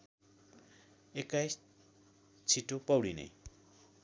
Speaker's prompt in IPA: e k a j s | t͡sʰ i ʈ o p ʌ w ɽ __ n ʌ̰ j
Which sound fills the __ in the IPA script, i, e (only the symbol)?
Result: i